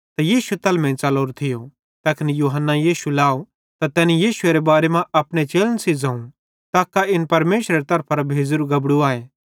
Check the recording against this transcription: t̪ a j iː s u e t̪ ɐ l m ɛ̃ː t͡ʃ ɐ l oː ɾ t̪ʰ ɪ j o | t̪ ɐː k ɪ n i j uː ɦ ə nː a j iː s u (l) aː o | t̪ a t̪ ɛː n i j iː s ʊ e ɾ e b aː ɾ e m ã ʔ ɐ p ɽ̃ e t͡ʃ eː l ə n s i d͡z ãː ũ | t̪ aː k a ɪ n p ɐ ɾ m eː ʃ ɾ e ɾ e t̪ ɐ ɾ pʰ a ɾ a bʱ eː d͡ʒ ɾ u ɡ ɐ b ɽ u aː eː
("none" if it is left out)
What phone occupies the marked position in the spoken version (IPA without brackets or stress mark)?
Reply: l